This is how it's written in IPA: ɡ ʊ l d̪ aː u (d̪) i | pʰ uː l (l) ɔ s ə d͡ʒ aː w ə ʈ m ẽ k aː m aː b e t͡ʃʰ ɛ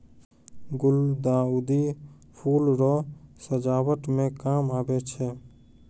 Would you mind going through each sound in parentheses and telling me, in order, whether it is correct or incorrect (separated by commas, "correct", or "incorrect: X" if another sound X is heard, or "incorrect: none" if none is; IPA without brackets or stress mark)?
correct, incorrect: ɾ